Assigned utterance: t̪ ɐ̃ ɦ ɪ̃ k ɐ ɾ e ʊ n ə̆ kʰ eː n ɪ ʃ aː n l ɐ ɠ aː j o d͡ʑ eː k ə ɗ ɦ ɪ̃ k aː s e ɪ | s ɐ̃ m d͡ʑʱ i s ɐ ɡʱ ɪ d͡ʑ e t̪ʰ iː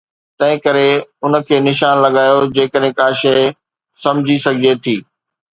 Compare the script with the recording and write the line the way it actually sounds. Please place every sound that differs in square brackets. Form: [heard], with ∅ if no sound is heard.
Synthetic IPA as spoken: t̪ ɐ̃ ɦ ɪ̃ k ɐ ɾ e ʊ n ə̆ kʰ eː n ɪ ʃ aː n l ɐ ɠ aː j o d͡ʑ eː k ə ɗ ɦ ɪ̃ k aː [ʃ] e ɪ | s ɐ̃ m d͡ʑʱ i s ɐ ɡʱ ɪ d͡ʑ e t̪ʰ iː